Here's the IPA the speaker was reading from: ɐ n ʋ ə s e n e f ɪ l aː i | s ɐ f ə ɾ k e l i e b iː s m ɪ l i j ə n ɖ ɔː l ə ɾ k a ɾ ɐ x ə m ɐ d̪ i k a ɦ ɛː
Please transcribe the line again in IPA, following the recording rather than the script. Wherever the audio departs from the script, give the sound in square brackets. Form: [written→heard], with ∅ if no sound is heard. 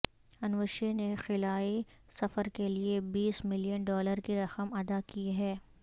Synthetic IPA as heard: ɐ n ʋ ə [s→ʃ] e n e [f→x] ɪ l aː i | s ɐ f ə ɾ k e l i e b iː s m ɪ l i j ə n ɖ ɔː l ə ɾ k [a→i] ɾ ɐ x ə m ɐ d̪ [i→a] k [a→i] ɦ ɛː